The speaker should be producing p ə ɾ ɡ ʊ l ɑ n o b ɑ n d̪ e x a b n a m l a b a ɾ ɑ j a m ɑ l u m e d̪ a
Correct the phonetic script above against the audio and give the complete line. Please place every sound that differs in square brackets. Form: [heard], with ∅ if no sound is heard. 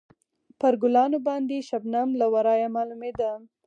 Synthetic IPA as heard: p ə ɾ ɡ ʊ l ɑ n o b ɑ n d̪ e [ʃ] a b n a m l a [w] a ɾ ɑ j a m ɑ l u m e d̪ a